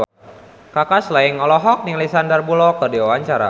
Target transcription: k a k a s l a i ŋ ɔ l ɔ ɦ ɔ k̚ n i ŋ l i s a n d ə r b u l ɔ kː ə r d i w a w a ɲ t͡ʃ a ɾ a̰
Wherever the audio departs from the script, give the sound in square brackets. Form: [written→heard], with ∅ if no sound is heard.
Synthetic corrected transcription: k a k a s l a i ŋ ɔ l ɔ ɦ ɔ k̚ n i ŋ l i s a n d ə r b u l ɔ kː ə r d i w a w a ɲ t͡ʃ a ɾ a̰